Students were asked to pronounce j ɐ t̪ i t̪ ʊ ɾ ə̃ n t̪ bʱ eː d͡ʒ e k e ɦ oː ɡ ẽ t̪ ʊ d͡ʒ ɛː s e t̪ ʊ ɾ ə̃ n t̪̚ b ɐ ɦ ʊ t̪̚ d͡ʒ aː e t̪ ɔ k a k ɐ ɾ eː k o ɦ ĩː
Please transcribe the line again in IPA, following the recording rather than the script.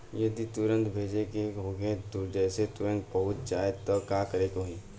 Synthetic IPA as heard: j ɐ d̪ i t̪ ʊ ɾ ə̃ n t̪ bʱ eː d͡ʒ e k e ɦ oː ɡ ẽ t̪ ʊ d͡ʒ ɛː s e t̪ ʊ ɾ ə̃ n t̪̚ b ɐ ɦ ʊ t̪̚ d͡ʒ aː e t̪ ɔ k a k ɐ ɾ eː k o ɦ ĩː